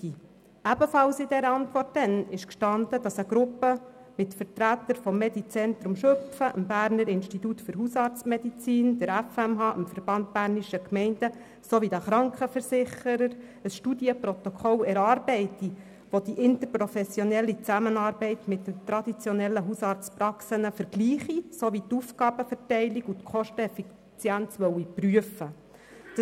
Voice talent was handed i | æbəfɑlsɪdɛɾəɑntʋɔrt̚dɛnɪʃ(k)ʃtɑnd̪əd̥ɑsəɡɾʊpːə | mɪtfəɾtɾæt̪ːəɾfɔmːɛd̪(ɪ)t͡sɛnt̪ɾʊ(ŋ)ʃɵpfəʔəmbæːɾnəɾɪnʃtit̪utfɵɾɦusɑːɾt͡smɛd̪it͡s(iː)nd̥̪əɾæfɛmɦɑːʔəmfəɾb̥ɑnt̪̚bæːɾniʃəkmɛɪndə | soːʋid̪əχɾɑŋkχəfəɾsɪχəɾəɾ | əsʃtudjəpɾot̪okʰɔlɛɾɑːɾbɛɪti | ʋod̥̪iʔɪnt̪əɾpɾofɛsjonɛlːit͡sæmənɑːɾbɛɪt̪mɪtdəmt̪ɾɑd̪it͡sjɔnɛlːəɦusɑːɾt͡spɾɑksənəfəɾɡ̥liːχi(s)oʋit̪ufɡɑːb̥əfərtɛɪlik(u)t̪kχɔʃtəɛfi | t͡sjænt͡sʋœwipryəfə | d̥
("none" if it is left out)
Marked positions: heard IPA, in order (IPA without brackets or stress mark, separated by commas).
k, i, m, iː, s, u